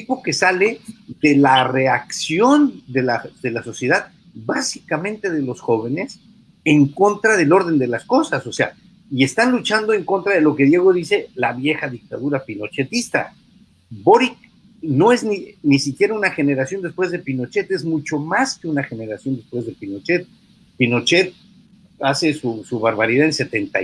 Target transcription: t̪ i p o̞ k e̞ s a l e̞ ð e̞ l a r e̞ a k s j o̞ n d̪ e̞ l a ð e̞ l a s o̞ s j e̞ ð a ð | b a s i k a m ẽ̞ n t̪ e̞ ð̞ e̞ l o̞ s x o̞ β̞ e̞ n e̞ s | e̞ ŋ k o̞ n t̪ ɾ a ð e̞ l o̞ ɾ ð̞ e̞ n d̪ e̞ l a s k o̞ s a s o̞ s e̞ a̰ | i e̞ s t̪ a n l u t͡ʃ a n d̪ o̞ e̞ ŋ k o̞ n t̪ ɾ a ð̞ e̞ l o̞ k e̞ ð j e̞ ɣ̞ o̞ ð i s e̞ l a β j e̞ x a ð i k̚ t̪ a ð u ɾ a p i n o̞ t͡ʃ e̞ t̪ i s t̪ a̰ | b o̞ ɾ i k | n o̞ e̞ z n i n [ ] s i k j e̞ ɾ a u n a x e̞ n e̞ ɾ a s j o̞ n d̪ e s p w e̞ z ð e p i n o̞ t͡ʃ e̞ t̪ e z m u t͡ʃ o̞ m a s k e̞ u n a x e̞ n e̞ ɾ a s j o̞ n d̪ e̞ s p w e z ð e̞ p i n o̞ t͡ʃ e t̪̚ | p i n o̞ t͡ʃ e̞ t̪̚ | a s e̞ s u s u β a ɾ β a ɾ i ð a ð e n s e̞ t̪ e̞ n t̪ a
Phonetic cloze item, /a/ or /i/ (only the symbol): i